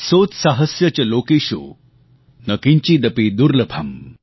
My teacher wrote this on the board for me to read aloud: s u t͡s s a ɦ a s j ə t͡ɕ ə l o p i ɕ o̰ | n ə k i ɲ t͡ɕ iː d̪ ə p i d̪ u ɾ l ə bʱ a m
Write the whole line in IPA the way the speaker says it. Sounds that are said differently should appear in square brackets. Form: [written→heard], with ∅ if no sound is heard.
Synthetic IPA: s [u→o] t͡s s a ɦ [a→ə] s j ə t͡ɕ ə l o [p→k] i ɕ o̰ | n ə k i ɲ t͡ɕ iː d̪ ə p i d̪ u ɾ l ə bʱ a m